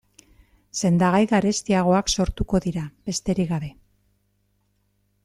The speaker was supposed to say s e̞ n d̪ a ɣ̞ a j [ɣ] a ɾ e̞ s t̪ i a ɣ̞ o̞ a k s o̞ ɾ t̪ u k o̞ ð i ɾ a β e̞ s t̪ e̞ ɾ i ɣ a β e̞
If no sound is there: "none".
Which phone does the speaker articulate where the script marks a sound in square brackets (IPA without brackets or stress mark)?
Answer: ɣ